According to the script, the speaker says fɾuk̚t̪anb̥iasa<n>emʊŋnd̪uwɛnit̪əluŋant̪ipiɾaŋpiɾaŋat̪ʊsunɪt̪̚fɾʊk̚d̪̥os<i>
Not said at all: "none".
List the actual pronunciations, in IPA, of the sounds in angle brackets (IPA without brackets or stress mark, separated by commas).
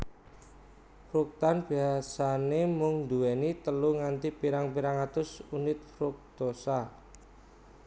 n, a